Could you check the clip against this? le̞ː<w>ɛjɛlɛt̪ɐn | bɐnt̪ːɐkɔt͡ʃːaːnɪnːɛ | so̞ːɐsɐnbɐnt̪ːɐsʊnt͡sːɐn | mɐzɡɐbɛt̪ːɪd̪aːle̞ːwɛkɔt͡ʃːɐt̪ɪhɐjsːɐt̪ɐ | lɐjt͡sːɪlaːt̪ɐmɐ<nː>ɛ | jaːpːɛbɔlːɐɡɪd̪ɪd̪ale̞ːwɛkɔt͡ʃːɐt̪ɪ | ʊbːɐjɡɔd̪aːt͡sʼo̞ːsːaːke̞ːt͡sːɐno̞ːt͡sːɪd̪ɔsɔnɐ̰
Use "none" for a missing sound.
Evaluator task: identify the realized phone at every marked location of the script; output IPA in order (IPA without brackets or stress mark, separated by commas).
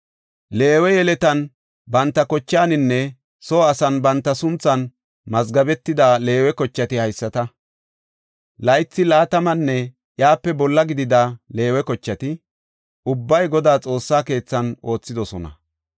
w, nː